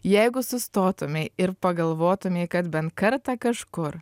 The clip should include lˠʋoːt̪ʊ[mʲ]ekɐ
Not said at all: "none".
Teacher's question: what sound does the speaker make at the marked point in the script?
mʲ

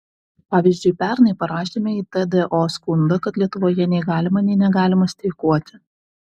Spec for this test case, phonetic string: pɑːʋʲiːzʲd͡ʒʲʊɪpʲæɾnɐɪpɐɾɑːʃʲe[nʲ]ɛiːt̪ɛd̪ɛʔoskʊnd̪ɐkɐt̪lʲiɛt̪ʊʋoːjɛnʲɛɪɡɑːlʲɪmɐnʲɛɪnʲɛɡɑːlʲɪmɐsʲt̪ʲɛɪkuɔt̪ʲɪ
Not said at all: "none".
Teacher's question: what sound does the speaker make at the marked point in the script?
mʲ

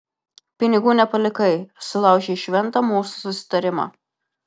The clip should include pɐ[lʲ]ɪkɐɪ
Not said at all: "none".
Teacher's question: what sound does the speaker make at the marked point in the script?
lʲ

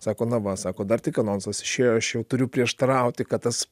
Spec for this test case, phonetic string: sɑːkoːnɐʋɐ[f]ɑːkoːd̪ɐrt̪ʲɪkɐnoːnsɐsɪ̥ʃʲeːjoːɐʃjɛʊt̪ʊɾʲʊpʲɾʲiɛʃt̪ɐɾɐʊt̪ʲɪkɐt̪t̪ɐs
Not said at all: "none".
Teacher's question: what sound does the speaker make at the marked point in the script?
s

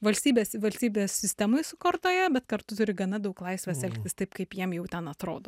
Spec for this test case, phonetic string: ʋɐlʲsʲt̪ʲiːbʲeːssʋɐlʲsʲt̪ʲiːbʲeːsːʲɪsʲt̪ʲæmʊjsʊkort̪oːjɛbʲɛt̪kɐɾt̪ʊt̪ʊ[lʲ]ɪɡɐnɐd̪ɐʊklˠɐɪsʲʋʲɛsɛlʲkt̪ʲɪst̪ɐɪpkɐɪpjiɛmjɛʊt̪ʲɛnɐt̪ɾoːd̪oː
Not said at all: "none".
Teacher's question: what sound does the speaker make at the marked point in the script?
ɾʲ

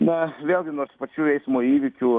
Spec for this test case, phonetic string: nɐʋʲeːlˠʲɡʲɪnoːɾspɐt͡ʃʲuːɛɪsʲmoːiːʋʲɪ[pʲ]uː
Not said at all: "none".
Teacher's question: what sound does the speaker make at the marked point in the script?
kʲ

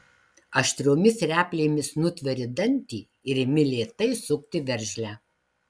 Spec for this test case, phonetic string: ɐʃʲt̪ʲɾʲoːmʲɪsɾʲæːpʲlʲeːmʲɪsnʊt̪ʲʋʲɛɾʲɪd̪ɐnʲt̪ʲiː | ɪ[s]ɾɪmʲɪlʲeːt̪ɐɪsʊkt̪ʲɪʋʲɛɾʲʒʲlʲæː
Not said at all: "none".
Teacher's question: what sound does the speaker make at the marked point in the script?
none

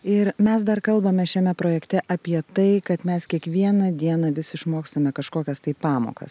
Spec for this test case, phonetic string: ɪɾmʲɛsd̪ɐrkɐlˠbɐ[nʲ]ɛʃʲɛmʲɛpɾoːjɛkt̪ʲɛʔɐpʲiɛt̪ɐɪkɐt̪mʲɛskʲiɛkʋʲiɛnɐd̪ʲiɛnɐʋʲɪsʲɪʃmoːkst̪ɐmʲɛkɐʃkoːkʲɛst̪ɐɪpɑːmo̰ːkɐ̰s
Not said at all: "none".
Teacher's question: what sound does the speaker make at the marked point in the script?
mʲ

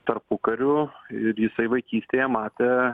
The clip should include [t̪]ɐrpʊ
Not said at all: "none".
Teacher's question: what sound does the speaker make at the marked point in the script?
t̪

